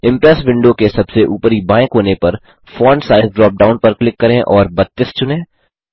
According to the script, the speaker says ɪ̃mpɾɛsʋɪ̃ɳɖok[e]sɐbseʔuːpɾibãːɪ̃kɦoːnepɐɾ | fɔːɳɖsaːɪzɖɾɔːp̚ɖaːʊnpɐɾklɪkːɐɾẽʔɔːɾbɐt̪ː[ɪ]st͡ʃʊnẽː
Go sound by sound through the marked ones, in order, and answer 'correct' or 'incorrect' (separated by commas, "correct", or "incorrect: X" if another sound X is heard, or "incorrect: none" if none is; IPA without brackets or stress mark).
correct, correct